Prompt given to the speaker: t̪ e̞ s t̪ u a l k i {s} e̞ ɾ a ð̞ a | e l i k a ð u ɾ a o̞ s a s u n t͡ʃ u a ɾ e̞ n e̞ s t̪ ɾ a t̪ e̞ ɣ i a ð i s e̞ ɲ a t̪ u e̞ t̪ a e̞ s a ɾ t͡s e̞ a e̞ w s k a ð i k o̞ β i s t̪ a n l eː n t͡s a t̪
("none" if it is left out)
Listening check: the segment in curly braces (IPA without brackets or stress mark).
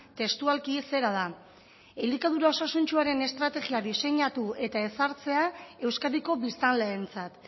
s